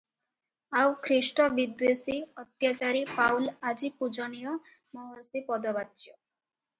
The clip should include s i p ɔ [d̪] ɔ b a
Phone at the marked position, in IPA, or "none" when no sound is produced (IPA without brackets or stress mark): d̪